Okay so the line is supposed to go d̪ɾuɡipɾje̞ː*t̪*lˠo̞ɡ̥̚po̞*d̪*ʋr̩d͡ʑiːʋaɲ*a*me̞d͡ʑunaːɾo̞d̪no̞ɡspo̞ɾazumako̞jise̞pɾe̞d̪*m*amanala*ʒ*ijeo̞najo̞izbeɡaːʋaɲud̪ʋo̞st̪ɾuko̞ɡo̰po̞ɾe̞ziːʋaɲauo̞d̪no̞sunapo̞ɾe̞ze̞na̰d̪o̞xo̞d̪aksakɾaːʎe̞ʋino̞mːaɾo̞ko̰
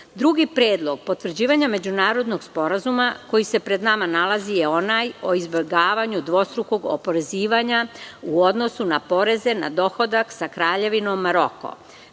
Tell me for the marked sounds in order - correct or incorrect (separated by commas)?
incorrect, incorrect, correct, incorrect, incorrect